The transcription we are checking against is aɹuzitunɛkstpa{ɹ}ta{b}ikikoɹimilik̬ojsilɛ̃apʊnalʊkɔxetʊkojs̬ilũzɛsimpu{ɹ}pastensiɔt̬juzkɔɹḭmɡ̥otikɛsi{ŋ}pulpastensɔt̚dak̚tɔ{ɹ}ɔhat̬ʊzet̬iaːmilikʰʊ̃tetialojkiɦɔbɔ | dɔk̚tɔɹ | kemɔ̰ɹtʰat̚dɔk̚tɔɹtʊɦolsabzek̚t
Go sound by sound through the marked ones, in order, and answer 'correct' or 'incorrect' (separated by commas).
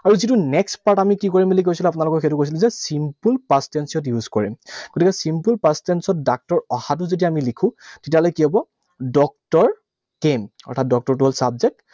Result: correct, incorrect, incorrect, incorrect, correct